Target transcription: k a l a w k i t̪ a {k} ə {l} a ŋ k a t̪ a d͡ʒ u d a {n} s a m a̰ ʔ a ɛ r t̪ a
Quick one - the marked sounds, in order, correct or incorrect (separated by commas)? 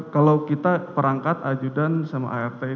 incorrect, incorrect, correct